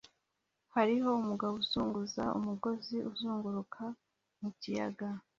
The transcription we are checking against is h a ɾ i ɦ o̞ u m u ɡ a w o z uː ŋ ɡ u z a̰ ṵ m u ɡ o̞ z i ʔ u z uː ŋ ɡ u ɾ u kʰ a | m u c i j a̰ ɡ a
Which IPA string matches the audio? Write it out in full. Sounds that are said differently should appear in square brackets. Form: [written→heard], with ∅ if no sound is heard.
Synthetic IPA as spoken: h a ɾ i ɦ o̞ u m u ɡ a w [o→u] z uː ŋ ɡ u z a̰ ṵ m u ɡ o̞ z i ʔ u z uː ŋ ɡ u ɾ u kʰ a | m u c i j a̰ ɡ a